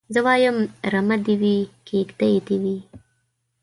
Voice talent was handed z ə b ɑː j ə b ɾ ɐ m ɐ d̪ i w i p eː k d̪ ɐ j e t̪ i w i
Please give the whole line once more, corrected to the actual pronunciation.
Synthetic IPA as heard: z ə w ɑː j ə m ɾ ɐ m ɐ d̪ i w i k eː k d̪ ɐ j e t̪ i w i